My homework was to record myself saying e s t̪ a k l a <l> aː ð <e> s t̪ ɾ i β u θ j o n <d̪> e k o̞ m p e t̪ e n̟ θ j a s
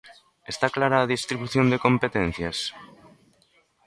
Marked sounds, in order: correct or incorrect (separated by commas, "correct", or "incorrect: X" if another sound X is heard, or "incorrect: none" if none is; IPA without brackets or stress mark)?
incorrect: ɾ, incorrect: i, correct